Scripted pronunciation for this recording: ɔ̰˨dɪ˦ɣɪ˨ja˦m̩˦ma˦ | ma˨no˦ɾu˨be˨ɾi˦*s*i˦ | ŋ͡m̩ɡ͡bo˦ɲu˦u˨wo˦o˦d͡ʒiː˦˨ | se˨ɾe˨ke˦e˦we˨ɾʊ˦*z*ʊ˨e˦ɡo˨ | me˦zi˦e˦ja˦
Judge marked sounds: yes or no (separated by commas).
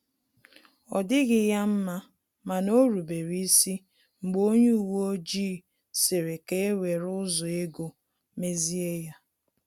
yes, yes